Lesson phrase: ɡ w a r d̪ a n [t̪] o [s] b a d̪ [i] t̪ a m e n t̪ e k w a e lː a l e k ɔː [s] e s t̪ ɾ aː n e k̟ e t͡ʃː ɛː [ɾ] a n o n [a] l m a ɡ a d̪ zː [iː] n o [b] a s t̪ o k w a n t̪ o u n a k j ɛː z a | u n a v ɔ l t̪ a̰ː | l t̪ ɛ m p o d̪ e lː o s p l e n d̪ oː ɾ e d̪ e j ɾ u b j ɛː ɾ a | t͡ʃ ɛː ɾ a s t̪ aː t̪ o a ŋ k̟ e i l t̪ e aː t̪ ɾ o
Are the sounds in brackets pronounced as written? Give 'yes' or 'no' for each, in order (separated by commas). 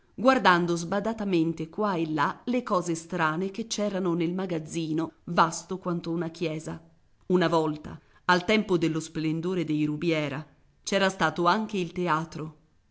no, no, no, no, yes, no, yes, no